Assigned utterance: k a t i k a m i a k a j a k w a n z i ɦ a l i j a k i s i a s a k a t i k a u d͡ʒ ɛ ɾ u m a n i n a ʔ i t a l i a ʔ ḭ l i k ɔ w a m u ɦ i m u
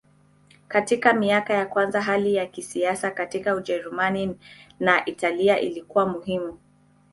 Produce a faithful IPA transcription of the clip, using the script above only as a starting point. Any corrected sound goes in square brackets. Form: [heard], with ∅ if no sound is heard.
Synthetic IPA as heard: k a t i k a m i a k a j a k w a n z [a] ɦ a l i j a k i s i a s a k a t i k a u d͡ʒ ɛ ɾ u m a n i n a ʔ i t a l i a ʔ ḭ l i k [u] w a m u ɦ i m u